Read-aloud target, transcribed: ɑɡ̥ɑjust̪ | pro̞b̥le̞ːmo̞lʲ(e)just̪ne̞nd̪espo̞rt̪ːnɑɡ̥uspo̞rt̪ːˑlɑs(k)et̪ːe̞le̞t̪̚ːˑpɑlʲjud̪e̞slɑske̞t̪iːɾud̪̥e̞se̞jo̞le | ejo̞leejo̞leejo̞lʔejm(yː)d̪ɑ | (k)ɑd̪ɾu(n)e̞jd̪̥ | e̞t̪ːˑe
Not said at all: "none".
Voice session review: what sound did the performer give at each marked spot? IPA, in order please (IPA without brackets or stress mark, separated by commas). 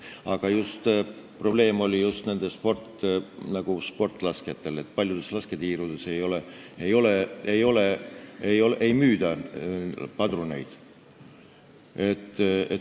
i, k, yː, p, n